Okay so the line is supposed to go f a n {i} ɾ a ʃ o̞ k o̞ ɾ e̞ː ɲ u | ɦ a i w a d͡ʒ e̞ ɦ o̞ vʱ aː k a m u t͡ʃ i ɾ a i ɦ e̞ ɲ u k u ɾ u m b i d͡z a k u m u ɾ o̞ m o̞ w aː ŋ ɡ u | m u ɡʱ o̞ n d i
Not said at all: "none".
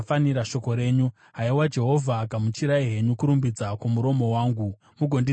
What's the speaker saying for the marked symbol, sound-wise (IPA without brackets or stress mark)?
i